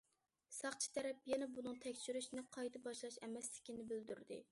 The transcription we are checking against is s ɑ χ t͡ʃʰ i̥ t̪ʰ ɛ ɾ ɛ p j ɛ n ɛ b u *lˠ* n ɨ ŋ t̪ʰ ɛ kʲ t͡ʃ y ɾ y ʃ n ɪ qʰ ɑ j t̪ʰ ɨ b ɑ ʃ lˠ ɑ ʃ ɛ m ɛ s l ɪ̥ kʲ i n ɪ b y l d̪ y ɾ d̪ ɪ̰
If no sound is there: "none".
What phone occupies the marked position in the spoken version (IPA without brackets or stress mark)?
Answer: none